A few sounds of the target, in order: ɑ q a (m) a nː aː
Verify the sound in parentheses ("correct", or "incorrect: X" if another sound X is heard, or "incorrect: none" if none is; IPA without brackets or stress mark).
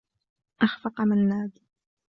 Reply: correct